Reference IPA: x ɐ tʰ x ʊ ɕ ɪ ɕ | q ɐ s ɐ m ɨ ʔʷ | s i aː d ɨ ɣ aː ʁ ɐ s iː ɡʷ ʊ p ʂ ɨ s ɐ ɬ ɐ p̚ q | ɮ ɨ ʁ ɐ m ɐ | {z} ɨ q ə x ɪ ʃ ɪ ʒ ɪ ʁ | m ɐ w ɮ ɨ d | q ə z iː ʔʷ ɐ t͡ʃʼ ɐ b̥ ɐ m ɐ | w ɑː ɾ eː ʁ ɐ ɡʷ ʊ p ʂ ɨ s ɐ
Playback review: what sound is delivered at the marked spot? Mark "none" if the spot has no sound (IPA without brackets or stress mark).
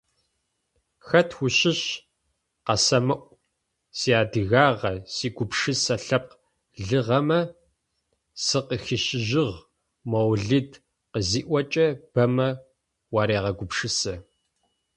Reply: s